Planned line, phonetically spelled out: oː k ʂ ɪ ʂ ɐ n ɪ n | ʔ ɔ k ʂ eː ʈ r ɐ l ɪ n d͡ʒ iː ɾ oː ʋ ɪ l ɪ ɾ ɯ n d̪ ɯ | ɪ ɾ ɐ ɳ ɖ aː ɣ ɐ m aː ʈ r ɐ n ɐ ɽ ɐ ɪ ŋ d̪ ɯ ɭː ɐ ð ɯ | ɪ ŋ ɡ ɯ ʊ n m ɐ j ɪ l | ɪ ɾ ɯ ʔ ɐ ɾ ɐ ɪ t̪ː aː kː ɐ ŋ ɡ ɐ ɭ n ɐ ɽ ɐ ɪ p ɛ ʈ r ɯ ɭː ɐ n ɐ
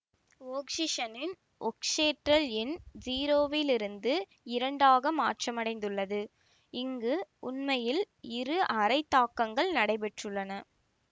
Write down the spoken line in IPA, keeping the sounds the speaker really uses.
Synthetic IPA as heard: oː k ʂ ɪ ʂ ɐ n ɪ n | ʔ ɔ k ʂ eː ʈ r ɐ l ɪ n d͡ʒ iː ɾ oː ʋ ɪ l ɪ ɾ ɯ n d̪ ɯ | ɪ ɾ ɐ ɳ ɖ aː ɣ ɐ m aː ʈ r ɐ m ɐ ɽ ɐ ɪ n d̪ ɯ ɭː ɐ ð ɯ | ɪ ŋ ɡ ɯ ʊ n m ɐ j ɪ l | ɪ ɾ ɯ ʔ ɐ ɾ ɐ ɪ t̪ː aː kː ɐ ŋ ɡ ɐ ɭ n ɐ ɽ ɐ ɪ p ɛ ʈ r ɯ ɭː ɐ n ɐ